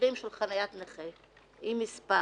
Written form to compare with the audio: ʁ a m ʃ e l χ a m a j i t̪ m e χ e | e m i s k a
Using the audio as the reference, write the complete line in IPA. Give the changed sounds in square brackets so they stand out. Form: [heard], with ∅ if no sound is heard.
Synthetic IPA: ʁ [i] m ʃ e l χ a [n] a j [a] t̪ [n] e χ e | [i] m i s [p] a